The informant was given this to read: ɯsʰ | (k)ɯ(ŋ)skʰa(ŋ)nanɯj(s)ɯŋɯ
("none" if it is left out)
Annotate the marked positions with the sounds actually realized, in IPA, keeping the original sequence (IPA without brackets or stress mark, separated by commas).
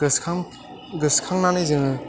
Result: ɡ, none, ŋ, z